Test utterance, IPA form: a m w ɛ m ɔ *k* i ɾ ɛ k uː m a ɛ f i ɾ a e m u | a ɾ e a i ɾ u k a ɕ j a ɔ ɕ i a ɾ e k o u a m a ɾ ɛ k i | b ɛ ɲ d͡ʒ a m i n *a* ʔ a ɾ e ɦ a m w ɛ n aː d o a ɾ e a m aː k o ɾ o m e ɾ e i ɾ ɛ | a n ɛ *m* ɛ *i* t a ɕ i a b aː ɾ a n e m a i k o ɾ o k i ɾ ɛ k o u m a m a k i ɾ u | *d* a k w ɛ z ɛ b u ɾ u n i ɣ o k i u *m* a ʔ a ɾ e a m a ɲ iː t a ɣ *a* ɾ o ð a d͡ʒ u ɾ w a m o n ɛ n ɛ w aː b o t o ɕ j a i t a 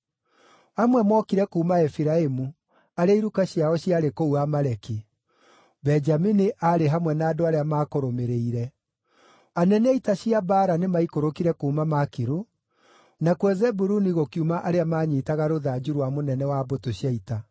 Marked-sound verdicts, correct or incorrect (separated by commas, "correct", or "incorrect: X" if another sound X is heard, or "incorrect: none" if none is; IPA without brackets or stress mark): correct, incorrect: i, incorrect: n, correct, incorrect: n, correct, correct